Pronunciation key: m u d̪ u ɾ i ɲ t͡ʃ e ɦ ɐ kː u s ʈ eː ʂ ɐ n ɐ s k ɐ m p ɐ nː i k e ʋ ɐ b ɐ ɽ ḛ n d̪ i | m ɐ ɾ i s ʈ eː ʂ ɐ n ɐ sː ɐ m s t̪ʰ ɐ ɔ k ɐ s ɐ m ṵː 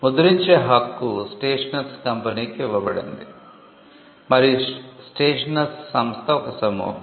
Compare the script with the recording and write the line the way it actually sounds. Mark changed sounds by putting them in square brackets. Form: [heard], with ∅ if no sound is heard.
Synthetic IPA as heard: m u d̪ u ɾ i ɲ t͡ʃ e ɦ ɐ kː u s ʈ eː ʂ ɐ n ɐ s k ɐ m p ɐ [n] i k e ʋ ɐ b ɐ ɽ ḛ n d̪ i | m ɐ ɾ i s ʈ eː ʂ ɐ n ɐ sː ɐ m s t̪ʰ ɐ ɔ k ɐ s ɐ m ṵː